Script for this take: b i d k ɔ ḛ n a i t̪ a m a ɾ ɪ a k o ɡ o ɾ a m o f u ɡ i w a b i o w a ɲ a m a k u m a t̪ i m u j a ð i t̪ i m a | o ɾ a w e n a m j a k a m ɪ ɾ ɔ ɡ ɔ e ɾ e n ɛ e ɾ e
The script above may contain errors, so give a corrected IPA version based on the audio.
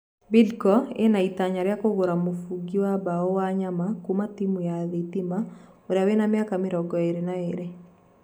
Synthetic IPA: b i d k ɔ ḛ n a i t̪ a ɲ a ɾ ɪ a k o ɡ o ɾ a m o f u ɡ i w a b a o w a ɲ a m a k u m a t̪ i m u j a ð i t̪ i m a | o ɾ a w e n a m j a k a m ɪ ɾ ɔ ɡ ɔ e ɾ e n a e ɾ e

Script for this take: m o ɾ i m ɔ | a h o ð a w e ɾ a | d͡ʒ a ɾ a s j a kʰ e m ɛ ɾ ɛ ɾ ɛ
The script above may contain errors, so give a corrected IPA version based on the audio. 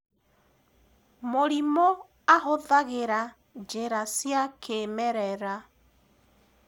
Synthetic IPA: m o ɾ i m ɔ | a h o ð a ɣ e ɾ a | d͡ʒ e ɾ a s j a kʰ e m ɛ ɾ ɛ ɾ a

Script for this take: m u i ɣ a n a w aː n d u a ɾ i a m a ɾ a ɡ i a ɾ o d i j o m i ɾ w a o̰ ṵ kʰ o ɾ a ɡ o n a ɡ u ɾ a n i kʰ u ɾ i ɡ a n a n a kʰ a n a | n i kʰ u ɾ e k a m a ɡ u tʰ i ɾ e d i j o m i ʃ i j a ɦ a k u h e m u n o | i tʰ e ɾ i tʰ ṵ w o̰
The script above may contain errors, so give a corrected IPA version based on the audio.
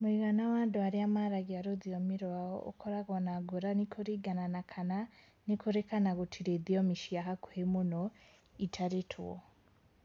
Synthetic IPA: m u i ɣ a n a w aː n d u a ɾ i a m a ɾ a ɡ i a ɾ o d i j o m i ɾ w a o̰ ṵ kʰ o ɾ a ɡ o n a ɡ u ɾ a n i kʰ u ɾ i ɡ a n a n a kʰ a n a | n i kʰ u ɾ e k a n a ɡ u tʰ i ɾ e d i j o m i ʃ i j a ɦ a k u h e m u n o | i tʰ a ɾ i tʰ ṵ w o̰

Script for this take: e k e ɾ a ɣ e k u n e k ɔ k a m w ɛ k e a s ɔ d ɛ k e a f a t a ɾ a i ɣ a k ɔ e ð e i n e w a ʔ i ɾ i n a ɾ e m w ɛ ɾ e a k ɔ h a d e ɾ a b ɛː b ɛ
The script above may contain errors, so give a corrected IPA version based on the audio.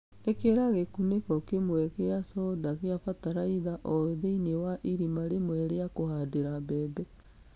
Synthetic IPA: e k e ɾ a ɣ e k u n e k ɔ k e m w ɛ k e a s ɔ d a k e a f a t a ɾ a i ð a ʔ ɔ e ð e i n e w a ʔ i ɾ i m a ɾ e m w ɛ ɾ e a k o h a d e ɾ a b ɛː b ɛ

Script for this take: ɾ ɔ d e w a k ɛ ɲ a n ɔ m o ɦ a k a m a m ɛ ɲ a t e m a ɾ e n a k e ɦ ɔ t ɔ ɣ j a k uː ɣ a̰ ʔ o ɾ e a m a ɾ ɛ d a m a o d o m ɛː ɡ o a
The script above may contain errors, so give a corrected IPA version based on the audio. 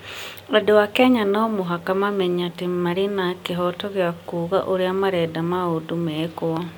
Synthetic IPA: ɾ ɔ d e w a k ɛ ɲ a n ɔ m o ɦ a k a m a m ɛ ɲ a t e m a ɾ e n a k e ɦ ɔ t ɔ ɣ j a k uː ɣ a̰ ʔ o ɾ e a m a ɾ ɛ d a m a o d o m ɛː k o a

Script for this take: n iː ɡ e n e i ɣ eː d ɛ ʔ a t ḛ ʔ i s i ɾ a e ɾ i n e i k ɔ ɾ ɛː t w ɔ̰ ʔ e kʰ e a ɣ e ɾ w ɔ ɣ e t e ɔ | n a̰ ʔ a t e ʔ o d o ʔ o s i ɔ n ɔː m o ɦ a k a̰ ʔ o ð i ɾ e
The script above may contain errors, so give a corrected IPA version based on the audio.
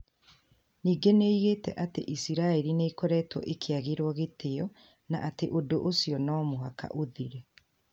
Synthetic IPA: n iː ɡ e n e i ɣ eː t ɛ ʔ a t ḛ ʔ i s i ɾ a e ɾ i n e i k ɔ ɾ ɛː t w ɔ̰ ʔ e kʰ e a ɣ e ɾ w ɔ ɣ e t e ɔ | n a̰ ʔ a t e ʔ o d o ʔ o s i ɔ n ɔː m o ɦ a k a̰ ʔ o ð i ɾ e

